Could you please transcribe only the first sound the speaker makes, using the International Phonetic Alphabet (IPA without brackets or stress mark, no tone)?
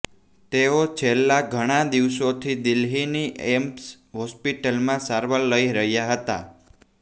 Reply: t̪